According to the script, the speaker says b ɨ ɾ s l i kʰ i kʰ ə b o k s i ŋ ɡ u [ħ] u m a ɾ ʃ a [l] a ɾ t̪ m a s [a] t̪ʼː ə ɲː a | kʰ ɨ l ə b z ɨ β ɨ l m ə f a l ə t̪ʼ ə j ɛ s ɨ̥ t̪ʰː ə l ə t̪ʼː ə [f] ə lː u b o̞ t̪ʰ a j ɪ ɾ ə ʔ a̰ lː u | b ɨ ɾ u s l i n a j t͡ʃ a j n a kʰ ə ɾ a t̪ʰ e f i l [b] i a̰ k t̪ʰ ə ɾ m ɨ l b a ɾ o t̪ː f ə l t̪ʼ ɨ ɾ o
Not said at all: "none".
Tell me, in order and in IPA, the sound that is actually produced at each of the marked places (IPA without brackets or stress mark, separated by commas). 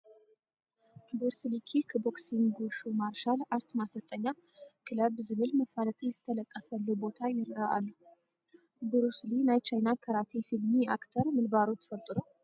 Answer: ʃ, l, ə, f, m